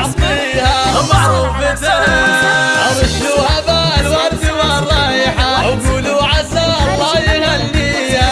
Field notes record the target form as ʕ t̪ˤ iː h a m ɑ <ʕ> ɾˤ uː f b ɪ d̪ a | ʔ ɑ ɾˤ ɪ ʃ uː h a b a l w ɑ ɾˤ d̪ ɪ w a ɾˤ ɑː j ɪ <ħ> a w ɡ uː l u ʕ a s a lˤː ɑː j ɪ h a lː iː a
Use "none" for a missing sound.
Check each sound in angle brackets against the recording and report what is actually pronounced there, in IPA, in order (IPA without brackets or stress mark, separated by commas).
ʕ, ħ